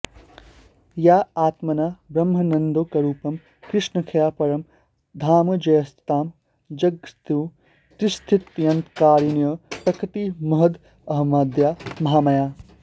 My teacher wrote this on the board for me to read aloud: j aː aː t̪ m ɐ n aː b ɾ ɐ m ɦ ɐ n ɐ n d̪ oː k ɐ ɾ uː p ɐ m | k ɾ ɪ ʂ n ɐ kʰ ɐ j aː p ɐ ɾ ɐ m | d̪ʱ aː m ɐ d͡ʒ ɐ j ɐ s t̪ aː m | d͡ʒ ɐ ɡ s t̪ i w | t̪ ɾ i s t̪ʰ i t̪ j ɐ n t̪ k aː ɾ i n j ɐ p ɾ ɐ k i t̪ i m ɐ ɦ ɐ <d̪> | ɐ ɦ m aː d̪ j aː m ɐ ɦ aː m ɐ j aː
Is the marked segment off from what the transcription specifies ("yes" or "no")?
no